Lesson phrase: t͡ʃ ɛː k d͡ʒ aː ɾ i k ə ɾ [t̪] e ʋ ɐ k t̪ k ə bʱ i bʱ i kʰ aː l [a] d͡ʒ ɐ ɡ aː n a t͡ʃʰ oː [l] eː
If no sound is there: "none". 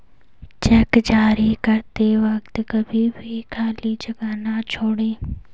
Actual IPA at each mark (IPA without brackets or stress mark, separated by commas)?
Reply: t̪, i, ɽ